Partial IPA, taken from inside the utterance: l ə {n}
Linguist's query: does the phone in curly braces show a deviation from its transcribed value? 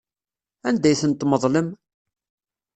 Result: yes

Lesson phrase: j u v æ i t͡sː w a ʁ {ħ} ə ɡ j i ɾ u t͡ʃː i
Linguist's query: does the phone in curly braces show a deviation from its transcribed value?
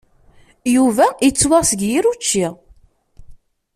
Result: yes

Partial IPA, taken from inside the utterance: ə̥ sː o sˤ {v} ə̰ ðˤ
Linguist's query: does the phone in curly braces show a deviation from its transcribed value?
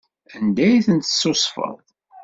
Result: yes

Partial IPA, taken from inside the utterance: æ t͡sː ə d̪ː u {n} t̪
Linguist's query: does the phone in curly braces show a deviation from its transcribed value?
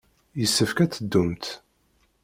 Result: yes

